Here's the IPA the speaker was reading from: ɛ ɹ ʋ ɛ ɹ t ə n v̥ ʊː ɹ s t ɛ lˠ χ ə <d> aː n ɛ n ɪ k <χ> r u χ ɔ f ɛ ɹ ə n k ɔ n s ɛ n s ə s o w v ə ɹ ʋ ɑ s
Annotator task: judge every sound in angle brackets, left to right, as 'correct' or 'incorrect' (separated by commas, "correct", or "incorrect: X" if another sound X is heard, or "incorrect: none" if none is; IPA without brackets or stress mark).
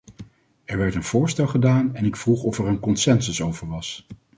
correct, incorrect: f